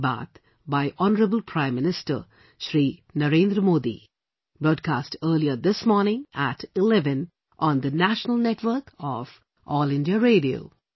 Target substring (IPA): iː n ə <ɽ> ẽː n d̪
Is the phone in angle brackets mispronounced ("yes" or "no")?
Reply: yes